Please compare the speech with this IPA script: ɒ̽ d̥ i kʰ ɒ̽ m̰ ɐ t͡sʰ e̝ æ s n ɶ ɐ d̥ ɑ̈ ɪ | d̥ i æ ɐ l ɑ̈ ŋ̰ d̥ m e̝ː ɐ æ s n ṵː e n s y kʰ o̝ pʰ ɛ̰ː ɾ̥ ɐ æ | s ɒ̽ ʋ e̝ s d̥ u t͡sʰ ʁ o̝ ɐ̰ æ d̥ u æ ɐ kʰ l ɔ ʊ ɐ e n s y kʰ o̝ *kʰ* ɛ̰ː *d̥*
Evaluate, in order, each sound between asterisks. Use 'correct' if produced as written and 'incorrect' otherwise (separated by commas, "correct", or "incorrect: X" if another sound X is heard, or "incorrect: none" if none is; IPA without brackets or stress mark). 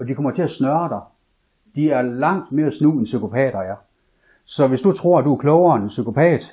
incorrect: pʰ, correct